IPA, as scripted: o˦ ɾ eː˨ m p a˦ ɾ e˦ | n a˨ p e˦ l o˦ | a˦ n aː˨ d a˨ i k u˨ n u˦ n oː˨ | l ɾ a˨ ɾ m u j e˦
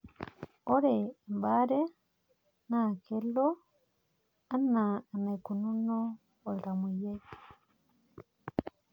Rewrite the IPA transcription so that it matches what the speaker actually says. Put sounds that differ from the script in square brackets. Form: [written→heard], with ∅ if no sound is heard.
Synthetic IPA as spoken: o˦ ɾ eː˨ m [p→b] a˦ ɾ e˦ | n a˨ [p→k] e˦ l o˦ | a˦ n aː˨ [d→n] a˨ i k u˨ n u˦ n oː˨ | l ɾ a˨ [ɾ→∅] m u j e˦